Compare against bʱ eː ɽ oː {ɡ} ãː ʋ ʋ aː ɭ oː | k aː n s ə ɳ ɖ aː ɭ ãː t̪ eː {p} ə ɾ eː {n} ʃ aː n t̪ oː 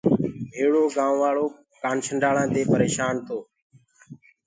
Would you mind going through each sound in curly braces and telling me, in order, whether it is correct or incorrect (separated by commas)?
correct, correct, incorrect